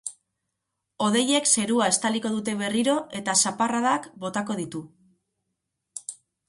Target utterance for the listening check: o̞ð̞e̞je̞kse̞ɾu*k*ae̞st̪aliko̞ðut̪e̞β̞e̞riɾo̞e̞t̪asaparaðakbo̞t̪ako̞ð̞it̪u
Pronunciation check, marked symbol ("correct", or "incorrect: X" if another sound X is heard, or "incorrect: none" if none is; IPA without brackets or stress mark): incorrect: none